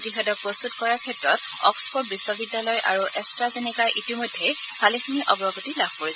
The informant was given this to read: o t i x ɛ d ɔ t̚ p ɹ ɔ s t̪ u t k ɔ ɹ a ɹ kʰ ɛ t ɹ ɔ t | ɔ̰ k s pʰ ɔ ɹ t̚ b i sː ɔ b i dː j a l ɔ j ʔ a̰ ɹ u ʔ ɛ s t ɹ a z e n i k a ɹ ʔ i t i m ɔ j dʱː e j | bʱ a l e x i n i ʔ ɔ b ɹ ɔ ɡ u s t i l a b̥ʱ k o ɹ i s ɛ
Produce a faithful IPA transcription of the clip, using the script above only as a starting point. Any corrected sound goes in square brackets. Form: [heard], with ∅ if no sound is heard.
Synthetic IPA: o t i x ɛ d ɔ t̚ p ɹ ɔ s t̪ u t k ɔ ɹ a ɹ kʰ ɛ t ɹ ɔ t | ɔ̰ k s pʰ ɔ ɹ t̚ b i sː ɔ b i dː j a l ɔ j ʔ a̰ ɹ u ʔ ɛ s t ɹ a z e n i k a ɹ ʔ i t i m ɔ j dʱː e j | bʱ a l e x i n i ʔ ɔ b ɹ ɔ ɡ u [∅] t i l a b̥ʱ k o ɹ i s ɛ